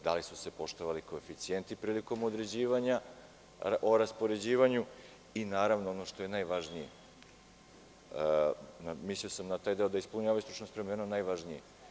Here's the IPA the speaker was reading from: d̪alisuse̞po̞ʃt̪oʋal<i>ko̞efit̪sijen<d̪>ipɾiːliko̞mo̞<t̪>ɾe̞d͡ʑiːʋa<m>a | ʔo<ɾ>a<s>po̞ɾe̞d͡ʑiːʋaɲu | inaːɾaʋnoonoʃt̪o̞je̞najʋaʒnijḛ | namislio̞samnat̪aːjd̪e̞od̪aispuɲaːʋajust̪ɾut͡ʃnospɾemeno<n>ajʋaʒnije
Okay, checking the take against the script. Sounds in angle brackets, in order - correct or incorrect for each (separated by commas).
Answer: correct, incorrect, incorrect, incorrect, correct, correct, correct